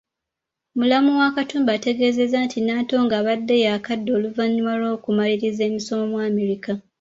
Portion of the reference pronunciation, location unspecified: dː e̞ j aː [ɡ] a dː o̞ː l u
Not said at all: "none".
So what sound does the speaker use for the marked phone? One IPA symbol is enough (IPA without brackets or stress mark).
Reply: k